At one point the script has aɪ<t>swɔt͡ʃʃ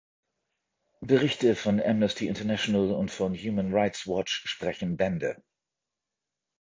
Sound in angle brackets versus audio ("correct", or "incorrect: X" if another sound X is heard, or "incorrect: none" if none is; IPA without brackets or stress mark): correct